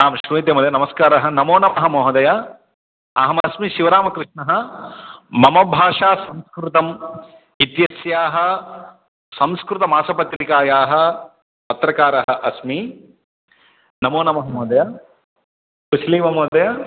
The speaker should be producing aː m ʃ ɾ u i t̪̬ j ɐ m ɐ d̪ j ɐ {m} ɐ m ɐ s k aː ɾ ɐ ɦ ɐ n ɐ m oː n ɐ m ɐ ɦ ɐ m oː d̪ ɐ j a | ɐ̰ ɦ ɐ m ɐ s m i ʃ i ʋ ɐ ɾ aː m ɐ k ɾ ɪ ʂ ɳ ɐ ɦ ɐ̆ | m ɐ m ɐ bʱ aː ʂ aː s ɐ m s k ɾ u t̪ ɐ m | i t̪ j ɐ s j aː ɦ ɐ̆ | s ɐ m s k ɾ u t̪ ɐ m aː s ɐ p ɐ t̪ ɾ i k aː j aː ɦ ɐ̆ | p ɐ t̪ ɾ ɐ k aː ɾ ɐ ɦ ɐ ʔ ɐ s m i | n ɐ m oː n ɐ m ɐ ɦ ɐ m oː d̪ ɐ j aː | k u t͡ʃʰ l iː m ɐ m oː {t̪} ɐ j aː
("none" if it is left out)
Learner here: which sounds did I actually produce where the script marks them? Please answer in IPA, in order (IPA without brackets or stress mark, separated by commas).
n, d̪